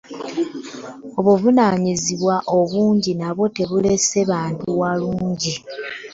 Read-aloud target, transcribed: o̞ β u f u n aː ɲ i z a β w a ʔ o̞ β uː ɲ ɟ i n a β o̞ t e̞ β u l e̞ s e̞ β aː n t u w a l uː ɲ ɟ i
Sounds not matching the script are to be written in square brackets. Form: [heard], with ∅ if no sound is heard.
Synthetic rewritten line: o̞ β u [v] u n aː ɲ i z [i] β w a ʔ o̞ β uː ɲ ɟ i n a β o̞ t e̞ β u l e̞ s e̞ β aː n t u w a l uː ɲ ɟ i